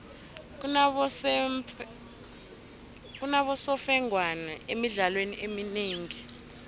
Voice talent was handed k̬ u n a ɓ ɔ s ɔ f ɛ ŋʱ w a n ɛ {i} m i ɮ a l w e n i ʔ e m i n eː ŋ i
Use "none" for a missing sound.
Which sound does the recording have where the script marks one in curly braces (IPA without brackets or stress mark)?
e